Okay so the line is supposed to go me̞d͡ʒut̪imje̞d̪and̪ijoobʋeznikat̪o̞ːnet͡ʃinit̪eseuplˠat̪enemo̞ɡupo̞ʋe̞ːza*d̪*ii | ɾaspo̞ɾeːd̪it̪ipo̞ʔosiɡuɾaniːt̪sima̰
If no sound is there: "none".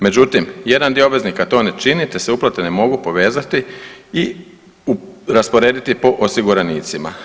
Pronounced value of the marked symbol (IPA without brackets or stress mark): t̪